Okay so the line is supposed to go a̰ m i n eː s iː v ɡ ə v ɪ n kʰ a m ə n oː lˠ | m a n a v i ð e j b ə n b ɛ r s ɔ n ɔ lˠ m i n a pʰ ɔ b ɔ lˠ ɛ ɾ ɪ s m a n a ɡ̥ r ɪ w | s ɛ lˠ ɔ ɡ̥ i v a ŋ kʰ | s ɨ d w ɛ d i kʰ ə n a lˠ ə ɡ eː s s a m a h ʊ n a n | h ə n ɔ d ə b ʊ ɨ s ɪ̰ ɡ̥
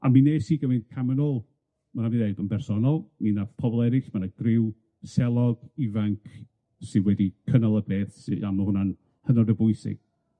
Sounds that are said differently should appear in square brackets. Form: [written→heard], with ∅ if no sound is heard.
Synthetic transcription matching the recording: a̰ m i n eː s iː [v→∅] ɡ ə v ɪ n kʰ a m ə n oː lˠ | m a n a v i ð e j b ə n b ɛ r s ɔ n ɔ lˠ m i n a pʰ ɔ b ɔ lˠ ɛ ɾ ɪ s m a n a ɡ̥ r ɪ w | s ɛ lˠ ɔ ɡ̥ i v a ŋ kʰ | s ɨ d w ɛ d i kʰ ə n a lˠ ə [ɡ→b] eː [s→θ] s a m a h ʊ n a n | h ə n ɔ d ə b ʊ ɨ s ɪ̰ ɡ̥